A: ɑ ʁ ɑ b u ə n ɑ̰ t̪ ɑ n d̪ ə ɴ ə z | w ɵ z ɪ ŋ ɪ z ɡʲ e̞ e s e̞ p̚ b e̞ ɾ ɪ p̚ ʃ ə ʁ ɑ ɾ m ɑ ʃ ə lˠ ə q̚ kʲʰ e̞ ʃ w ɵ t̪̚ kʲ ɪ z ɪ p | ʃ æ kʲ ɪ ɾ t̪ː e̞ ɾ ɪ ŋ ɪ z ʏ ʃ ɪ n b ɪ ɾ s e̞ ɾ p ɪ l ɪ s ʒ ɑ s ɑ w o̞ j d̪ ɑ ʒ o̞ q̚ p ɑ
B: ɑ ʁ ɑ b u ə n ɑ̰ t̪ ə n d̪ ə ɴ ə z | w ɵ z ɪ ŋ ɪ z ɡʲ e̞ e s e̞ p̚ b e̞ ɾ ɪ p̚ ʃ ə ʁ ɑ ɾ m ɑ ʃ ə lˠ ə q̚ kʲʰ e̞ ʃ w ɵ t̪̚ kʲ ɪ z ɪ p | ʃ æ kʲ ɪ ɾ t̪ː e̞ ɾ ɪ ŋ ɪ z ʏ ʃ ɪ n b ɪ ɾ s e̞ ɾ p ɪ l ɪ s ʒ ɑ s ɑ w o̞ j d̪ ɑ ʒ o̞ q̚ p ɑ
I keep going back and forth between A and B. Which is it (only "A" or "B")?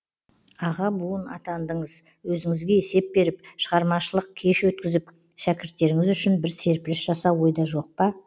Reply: A